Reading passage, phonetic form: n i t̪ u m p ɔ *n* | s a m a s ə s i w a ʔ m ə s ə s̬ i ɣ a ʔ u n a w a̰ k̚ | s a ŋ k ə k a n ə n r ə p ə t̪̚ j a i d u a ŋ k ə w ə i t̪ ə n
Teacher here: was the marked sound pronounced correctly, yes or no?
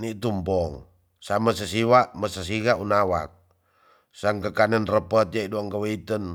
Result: no